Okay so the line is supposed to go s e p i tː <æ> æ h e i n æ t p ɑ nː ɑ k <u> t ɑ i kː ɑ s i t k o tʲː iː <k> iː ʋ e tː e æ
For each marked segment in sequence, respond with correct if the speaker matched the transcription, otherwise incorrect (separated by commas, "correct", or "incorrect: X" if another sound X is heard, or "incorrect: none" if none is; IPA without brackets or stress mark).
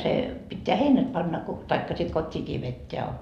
incorrect: e, incorrect: o, correct